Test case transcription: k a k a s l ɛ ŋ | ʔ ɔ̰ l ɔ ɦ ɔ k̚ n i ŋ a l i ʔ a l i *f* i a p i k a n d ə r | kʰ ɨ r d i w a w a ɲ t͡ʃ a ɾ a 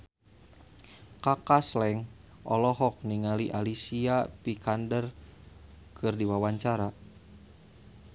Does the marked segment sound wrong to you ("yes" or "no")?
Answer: yes